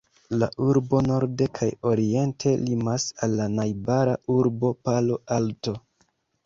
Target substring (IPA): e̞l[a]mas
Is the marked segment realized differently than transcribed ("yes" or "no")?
yes